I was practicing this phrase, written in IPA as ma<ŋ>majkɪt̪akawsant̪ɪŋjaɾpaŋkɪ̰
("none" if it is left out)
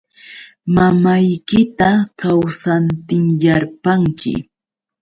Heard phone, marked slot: none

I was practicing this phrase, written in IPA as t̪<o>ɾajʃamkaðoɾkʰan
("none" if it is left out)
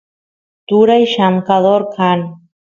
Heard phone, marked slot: u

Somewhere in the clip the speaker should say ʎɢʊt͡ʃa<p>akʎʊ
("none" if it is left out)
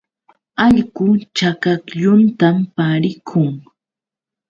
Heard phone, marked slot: k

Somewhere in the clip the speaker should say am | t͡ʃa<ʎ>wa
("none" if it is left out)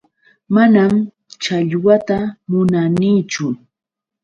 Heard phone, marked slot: ʎ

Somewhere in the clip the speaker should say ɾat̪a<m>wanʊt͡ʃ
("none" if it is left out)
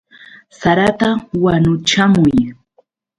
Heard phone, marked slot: none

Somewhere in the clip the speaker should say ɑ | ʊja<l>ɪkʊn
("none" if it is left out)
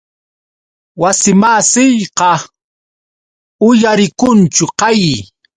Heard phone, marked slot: ɾ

